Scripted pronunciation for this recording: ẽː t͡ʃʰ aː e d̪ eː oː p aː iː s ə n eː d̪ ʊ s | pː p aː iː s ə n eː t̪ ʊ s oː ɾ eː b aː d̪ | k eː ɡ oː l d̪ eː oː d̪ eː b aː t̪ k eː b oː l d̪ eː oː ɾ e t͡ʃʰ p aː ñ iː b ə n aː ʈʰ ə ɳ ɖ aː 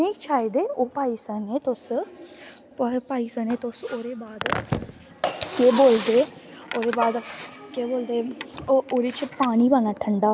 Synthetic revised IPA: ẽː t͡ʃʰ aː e d̪ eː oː p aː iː s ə n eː t̪ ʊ s | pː p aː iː s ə n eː t̪ ʊ s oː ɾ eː b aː d̪ | k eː b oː l d̪ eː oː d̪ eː b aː d̪ k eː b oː l d̪ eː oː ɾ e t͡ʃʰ p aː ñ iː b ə n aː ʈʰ ə ɳ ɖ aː